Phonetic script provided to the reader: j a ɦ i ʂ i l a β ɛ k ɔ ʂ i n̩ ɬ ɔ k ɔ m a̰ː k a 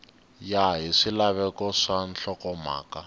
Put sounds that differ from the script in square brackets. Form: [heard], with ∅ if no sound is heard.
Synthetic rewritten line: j a ɦ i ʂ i l a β ɛ k ɔ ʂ [a] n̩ ɬ ɔ k ɔ m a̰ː k a